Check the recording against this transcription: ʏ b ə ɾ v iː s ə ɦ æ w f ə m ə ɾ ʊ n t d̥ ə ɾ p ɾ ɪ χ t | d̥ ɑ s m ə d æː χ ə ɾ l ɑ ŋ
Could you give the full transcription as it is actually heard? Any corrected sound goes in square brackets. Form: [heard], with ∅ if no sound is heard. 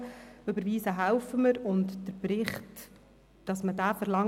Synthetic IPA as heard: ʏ b ə ɾ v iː s ə ɦ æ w f ə m ə ɾ ʊ n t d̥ ə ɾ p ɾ ɪ χ t | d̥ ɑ s m ə d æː [f] ə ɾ l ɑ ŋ